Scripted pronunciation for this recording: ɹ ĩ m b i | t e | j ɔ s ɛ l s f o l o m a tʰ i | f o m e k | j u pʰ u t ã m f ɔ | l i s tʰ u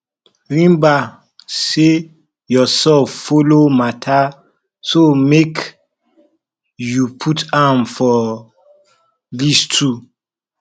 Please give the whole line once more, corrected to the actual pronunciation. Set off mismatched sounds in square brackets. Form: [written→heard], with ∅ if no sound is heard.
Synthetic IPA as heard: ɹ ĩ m b [i→a] | [t→s] e | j ɔ s ɛ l [s→f] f o l o m a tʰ [i→a] | [f→s] o m e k | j u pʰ u t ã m f ɔ | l i s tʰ u